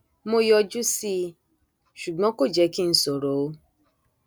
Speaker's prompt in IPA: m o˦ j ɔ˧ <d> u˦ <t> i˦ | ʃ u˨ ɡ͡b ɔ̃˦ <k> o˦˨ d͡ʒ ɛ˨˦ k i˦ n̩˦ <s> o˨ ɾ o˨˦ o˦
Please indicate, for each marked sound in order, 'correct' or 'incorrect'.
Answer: incorrect: d͡ʒ, incorrect: s, correct, correct

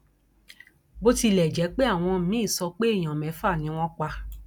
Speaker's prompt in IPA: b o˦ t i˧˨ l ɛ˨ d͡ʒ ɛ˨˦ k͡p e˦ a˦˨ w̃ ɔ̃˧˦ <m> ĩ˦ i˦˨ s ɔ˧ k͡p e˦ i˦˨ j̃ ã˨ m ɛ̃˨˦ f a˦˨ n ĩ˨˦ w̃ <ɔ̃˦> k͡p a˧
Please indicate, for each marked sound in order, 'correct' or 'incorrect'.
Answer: correct, correct

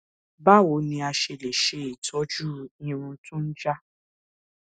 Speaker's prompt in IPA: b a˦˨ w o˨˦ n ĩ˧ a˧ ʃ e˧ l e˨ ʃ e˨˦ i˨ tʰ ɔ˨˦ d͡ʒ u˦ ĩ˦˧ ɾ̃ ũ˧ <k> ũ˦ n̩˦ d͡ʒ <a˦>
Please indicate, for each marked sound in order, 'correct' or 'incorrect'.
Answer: incorrect: t, correct

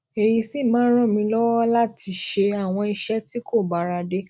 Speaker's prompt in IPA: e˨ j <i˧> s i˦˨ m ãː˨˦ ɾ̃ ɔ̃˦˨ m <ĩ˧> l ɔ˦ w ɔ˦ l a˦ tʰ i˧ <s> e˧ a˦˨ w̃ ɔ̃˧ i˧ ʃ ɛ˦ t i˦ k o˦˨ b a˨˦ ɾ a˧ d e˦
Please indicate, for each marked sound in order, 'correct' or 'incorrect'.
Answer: correct, correct, incorrect: ʃ

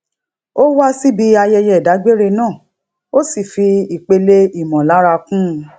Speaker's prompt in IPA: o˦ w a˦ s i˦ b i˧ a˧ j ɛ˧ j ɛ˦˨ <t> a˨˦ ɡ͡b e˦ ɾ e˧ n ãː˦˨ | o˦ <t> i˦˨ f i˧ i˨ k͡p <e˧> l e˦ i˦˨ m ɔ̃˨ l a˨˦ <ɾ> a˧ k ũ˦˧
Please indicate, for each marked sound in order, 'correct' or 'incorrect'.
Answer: incorrect: d, incorrect: s, correct, correct

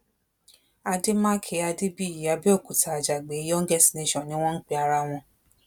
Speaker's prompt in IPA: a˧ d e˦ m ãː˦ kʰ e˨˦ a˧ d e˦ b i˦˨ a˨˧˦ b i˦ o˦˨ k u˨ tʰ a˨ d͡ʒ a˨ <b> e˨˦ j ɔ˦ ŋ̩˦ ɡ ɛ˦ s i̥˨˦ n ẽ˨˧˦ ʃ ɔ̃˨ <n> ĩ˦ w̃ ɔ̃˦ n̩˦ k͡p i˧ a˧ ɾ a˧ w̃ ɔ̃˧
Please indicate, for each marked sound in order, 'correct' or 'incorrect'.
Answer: incorrect: ɡ͡b, correct

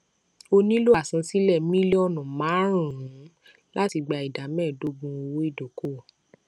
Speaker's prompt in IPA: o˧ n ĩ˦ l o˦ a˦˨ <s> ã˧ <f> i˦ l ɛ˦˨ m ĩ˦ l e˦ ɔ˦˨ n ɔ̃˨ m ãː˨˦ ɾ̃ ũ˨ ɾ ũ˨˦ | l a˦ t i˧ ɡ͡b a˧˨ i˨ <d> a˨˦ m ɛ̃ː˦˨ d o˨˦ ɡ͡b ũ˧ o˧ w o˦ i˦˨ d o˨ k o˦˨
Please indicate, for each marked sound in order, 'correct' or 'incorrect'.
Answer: correct, incorrect: s, correct

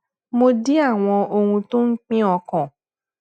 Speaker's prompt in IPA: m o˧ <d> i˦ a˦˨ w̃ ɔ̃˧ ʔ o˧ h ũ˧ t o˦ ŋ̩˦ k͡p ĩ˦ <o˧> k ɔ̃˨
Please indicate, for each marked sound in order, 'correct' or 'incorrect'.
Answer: correct, incorrect: ɔ˧

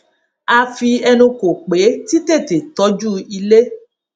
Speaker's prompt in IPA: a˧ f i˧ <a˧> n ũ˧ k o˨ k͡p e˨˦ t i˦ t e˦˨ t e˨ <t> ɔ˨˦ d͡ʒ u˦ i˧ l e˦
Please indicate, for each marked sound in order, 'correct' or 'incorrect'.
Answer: incorrect: ɛ˧, correct

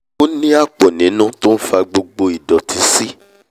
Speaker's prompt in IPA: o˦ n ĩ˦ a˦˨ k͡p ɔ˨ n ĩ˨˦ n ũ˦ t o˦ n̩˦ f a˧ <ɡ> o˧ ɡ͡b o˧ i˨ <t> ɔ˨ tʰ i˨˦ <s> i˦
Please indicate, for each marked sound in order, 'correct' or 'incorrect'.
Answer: incorrect: ɡ͡b, incorrect: d, correct

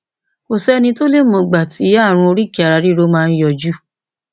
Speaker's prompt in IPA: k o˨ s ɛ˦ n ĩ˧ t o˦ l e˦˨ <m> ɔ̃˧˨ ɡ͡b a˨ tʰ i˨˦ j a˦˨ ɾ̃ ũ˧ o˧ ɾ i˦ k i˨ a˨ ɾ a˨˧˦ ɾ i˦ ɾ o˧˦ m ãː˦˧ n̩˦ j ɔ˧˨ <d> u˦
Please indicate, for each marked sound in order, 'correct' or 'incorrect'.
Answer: correct, incorrect: d͡ʒ

